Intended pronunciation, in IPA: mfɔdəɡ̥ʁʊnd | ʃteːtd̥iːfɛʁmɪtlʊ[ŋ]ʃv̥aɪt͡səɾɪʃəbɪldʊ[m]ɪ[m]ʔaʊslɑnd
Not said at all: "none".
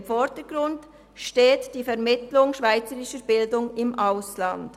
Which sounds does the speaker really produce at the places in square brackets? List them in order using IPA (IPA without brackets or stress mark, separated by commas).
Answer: ŋ, ŋ, m